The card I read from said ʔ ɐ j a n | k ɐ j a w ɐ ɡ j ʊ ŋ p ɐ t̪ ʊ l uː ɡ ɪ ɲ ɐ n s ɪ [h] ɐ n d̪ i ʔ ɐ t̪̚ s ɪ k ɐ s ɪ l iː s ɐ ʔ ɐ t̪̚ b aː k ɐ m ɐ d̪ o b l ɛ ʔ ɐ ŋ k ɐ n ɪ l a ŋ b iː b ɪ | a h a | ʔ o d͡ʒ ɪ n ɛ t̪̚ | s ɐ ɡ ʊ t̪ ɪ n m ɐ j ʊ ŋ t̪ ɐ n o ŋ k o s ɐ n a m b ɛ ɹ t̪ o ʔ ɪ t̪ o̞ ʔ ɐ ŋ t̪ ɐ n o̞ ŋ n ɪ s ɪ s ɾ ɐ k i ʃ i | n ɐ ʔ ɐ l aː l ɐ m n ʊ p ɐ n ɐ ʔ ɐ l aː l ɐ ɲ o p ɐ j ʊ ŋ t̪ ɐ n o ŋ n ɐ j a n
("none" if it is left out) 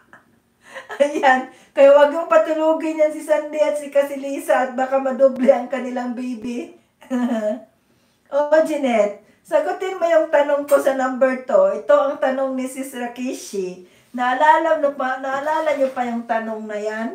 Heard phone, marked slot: s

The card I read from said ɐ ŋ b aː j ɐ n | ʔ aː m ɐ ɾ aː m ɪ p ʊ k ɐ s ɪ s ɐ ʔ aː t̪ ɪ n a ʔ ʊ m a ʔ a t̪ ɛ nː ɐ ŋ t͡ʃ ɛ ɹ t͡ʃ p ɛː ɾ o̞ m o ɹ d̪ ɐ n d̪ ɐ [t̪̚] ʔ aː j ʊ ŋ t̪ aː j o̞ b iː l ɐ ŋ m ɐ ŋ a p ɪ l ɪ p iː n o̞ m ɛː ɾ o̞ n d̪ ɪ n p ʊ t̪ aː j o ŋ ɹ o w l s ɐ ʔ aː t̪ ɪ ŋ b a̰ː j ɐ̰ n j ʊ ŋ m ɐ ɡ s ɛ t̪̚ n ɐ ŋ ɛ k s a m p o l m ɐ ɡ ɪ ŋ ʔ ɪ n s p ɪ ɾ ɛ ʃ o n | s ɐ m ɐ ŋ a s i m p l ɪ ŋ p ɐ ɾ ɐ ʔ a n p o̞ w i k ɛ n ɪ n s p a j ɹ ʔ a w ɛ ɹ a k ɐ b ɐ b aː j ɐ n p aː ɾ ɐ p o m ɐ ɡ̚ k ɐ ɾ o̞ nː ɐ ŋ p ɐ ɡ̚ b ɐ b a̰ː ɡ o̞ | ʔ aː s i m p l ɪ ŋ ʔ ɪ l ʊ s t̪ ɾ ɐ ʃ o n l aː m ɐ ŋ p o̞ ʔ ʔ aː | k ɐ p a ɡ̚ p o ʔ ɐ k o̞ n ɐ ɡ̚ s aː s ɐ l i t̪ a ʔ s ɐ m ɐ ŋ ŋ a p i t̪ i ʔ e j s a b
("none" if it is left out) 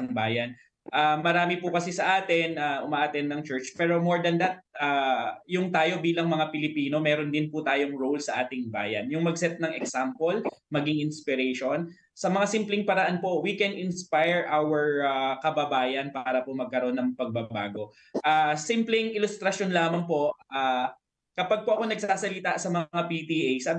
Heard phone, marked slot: t̪̚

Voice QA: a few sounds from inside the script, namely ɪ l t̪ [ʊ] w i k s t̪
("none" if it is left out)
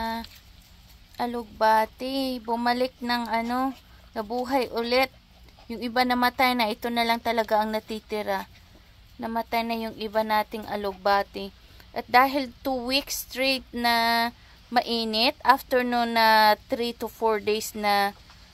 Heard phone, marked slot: u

